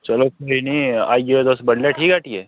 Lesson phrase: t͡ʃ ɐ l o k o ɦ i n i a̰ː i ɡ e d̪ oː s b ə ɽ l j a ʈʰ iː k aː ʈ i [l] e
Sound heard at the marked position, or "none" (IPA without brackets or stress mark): none